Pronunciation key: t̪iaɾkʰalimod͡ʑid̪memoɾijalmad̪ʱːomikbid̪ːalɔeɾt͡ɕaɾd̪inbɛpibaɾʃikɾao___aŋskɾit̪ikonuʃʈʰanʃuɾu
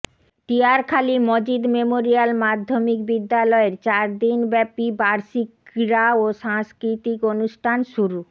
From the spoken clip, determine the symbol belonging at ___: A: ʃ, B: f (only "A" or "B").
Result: A